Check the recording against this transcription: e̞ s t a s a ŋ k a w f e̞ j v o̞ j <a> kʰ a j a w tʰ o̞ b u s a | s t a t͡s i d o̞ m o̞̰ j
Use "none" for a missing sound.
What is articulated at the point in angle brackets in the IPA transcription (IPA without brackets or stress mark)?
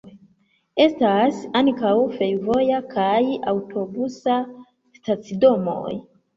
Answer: a